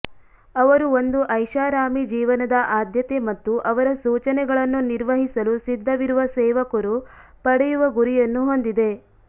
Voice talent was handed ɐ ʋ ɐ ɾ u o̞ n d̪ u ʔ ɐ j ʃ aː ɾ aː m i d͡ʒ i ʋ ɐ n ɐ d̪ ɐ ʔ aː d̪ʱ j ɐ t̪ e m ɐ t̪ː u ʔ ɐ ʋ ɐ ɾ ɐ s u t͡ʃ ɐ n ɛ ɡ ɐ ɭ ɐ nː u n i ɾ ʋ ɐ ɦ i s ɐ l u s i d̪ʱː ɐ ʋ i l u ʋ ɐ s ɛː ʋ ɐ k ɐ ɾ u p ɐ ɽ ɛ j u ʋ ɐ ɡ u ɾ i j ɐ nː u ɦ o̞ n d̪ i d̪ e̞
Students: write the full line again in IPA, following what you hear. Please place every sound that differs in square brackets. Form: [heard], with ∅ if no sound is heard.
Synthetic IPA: ɐ ʋ ɐ ɾ u o̞ n d̪ u ʔ ɐ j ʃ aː ɾ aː m i d͡ʒ [iː] ʋ ɐ n ɐ d̪ ɐ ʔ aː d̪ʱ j ɐ t̪ e m ɐ t̪ː u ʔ ɐ ʋ ɐ ɾ ɐ s [uː] t͡ʃ ɐ n ɛ ɡ ɐ ɭ ɐ nː u n i ɾ ʋ ɐ ɦ i s ɐ l u s i d̪ʱː ɐ ʋ i [ɾ] u ʋ ɐ s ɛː ʋ ɐ k ɐ ɾ u p ɐ ɽ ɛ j u ʋ ɐ ɡ u ɾ i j ɐ nː u ɦ o̞ n d̪ i d̪ e̞